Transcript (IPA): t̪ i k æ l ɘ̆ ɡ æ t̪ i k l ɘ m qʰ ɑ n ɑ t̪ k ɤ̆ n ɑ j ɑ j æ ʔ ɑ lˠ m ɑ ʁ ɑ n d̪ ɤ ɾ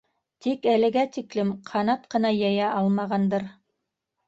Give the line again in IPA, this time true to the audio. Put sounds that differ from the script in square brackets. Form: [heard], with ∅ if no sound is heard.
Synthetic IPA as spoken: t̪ i k æ l ɘ̆ ɡ æ t̪ i k l ɘ m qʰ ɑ n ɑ t̪ [q] ɤ̆ n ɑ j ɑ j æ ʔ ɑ lˠ m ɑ ʁ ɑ n d̪ ɤ ɾ